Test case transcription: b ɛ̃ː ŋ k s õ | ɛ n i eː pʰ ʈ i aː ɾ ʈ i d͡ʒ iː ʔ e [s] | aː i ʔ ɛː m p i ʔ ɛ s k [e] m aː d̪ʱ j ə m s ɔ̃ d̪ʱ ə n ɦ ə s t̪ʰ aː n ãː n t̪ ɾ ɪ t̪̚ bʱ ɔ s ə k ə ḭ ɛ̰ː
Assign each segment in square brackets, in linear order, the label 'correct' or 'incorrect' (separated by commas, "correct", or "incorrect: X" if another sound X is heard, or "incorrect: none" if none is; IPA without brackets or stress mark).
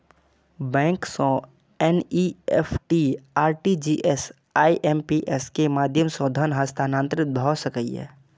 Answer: correct, correct